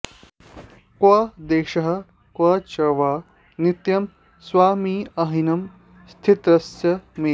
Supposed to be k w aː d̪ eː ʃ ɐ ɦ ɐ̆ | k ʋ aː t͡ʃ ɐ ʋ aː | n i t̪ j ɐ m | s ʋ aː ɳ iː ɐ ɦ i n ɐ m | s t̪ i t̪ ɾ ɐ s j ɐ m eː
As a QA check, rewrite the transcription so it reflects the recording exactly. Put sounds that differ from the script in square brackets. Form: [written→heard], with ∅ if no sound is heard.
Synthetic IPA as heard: k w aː d̪ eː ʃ ɐ ɦ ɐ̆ | k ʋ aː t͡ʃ ɐ ʋ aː | n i t̪ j ɐ m | s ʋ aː [ɳ→m] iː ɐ ɦ i n ɐ m | s [t̪→t̪ʰ] i t̪ ɾ ɐ s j ɐ m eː